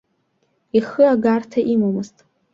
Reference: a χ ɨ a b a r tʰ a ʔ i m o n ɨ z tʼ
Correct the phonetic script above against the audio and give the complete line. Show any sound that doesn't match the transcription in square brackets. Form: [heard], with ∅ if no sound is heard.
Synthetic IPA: [i] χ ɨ a [ɡ] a r tʰ a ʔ i m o [m] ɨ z tʼ